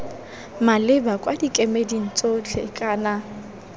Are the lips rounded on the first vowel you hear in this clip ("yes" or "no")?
no